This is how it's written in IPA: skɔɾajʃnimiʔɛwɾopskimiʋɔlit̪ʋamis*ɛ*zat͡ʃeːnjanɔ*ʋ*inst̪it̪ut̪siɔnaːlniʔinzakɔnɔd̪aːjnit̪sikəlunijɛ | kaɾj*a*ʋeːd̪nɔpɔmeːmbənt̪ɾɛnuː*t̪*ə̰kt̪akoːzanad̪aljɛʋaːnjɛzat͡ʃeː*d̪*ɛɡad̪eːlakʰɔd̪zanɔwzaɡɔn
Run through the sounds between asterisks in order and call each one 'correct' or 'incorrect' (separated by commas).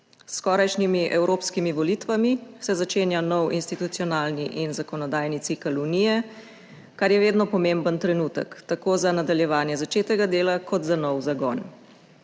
correct, incorrect, incorrect, correct, incorrect